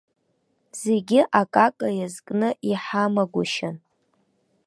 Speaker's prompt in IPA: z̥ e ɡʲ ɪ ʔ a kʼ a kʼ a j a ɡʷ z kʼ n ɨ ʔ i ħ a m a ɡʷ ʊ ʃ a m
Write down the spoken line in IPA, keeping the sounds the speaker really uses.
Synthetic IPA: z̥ e ɡʲ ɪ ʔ a kʼ a kʼ a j a z kʼ n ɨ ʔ i ħ a m a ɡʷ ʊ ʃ a n